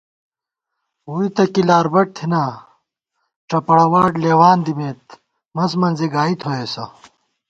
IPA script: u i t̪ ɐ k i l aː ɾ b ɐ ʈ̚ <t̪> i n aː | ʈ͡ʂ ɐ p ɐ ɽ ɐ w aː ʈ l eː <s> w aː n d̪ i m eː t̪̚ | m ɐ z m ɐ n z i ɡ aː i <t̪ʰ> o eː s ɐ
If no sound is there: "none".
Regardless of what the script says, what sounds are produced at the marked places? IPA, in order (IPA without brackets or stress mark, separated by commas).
t̪ʰ, none, t̪ʰ